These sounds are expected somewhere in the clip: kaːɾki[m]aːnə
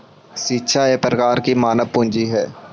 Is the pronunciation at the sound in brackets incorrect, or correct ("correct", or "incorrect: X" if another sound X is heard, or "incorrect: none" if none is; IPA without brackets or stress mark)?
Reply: correct